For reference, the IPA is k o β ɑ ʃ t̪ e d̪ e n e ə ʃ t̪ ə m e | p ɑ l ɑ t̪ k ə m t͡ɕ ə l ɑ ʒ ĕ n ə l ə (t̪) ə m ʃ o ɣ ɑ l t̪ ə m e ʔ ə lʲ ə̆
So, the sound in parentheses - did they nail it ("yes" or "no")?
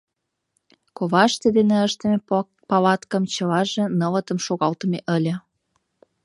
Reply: yes